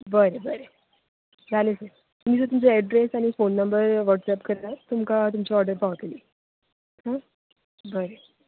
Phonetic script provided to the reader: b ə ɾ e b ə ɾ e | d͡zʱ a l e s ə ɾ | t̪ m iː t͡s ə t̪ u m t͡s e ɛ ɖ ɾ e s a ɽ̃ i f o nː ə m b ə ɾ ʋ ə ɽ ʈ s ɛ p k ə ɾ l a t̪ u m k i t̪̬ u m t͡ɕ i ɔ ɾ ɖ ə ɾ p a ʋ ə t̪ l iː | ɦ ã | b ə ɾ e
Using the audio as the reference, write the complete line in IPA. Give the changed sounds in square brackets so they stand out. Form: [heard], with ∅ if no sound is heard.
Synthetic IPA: b ə ɾ e b ə ɾ e | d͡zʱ a l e s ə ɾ | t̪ m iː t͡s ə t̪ u m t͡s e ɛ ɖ ɾ e s a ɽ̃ i f o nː ə m b ə ɾ ʋ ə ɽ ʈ s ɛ p k ə ɾ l a t̪ u m k [a] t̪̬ u m t͡ɕ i ɔ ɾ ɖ ə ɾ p a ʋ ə t̪ l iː | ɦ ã | b ə ɾ e